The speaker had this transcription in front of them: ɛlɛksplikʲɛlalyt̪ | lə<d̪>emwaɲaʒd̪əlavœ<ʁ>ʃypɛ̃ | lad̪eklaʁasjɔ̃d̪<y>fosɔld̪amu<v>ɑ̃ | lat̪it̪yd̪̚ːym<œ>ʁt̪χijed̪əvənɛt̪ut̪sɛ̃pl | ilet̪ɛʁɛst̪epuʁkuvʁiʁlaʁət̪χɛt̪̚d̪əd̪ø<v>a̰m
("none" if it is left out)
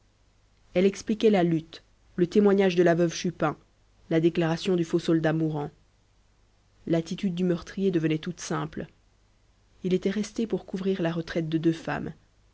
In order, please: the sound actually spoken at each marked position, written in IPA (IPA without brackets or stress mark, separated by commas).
t̪, v, y, ʁ, œ, f